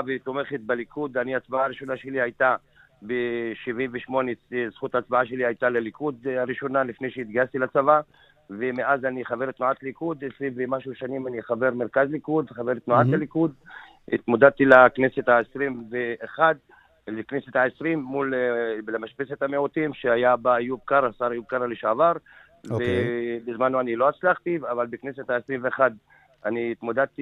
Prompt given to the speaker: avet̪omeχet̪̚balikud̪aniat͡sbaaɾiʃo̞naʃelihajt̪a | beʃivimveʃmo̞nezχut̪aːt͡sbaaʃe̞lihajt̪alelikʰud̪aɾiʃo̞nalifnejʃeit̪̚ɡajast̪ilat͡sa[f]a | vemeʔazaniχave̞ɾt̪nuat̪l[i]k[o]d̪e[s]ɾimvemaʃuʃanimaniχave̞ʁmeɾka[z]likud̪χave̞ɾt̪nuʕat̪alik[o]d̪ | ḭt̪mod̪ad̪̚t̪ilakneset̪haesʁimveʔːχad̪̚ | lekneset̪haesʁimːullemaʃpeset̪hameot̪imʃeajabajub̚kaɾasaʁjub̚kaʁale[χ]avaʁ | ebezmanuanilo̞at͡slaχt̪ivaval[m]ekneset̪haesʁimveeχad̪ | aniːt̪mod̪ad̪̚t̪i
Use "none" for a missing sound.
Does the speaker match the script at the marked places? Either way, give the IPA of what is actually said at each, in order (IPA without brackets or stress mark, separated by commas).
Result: v, i, u, s, z, u, ʃ, b